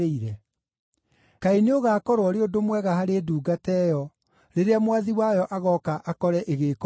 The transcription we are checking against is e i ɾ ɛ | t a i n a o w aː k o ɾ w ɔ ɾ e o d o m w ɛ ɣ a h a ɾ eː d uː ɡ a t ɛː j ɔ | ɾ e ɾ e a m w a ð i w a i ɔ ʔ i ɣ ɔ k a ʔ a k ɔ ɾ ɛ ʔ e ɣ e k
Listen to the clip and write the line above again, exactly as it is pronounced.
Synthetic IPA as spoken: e i ɾ ɛ | k a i n e o ɣ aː k ɔ ɾ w ɔ ɾ e o d o m w ɛ ɣ a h a ɾ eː d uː ɡ a t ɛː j ɔ | ɾ e ɾ e a m w a ð i w a j ɔ ʔ a ɣ ɔ k a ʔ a k ɔ ɾ ɛ ʔ e ɣ e k